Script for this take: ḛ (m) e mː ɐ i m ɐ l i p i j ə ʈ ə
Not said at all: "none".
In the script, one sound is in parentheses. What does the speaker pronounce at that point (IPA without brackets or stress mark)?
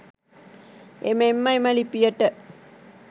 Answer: m